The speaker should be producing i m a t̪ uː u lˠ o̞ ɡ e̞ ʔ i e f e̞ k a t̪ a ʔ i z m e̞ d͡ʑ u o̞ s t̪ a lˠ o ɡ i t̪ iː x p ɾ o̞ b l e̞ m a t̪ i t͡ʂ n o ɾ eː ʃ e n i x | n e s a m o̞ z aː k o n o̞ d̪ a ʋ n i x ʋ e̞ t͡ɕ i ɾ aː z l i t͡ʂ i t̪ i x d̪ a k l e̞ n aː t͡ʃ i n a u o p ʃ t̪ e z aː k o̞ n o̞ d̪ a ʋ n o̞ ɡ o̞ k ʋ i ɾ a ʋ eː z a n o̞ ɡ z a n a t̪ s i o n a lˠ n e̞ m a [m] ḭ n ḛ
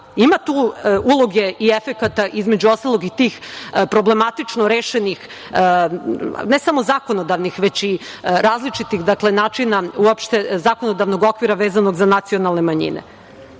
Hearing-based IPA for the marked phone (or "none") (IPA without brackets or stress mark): ɲ